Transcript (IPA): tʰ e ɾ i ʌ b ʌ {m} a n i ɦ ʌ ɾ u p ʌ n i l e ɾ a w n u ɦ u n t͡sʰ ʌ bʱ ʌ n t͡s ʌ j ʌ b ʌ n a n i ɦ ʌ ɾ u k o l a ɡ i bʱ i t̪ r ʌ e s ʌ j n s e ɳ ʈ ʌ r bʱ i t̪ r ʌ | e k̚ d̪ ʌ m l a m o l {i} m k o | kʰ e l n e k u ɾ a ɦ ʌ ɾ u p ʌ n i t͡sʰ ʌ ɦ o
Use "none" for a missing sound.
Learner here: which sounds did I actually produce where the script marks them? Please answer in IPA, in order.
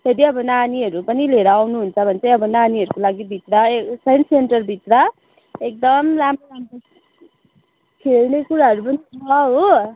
n, a

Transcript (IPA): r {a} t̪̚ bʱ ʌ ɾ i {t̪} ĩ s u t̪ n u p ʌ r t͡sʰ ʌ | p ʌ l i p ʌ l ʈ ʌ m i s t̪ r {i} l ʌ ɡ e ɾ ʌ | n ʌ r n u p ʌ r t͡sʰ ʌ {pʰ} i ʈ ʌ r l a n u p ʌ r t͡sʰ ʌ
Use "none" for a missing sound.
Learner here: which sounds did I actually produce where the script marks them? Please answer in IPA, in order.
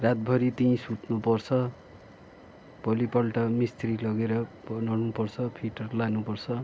a, t̪, i, pʰ

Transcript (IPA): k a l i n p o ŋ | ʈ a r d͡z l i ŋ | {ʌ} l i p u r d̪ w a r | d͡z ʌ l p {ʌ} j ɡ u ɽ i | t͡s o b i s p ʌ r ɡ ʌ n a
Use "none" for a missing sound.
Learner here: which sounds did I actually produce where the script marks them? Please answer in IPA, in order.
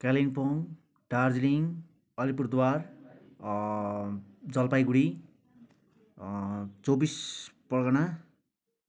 ʌ, a

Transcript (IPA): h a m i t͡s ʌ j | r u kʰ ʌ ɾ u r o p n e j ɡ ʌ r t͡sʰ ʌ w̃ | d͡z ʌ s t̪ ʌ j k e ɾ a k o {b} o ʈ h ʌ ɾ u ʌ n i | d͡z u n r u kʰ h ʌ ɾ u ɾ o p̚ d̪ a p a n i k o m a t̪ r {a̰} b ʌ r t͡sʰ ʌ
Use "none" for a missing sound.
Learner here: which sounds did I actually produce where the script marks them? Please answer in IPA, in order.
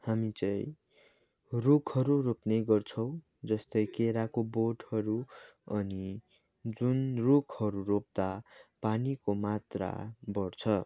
b, a̰

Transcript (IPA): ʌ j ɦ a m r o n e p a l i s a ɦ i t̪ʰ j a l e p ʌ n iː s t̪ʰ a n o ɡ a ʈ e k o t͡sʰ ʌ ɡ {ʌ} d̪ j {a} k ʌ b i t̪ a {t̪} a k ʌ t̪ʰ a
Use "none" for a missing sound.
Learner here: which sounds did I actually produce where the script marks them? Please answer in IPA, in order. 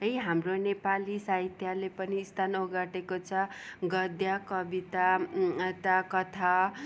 ʌ, a, t̪

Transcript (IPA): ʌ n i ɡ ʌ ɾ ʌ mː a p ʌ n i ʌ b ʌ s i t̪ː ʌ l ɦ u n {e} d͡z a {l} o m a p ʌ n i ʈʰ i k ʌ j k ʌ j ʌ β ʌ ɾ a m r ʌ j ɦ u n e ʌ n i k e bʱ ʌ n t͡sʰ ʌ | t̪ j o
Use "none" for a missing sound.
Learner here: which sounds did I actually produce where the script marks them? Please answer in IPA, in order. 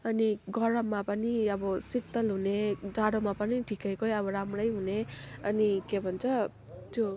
e, ɽ

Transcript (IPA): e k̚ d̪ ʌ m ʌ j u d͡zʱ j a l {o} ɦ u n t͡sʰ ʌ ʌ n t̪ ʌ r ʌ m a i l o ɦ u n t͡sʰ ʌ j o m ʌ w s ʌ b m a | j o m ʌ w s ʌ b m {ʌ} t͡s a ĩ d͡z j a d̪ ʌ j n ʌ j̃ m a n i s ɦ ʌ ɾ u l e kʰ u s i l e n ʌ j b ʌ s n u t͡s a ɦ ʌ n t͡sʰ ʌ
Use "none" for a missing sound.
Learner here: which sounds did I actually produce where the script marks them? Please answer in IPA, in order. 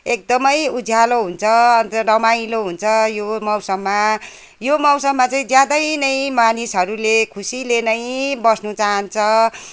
o, a

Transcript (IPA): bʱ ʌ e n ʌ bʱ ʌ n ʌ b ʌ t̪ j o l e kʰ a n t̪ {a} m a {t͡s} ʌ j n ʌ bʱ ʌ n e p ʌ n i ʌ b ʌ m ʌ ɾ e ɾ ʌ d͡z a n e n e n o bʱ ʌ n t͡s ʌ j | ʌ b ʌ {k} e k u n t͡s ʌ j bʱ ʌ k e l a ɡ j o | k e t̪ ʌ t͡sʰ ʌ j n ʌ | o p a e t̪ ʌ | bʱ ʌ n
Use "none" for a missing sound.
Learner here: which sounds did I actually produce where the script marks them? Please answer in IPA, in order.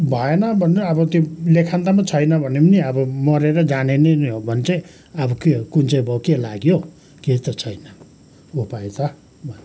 a, t͡sʰ, k

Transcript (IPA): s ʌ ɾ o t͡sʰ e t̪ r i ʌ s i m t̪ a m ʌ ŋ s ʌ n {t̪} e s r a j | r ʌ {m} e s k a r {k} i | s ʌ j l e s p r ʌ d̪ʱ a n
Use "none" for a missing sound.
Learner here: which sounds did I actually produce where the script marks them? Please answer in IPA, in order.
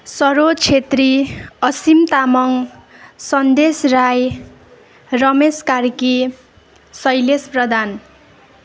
d̪, m, k

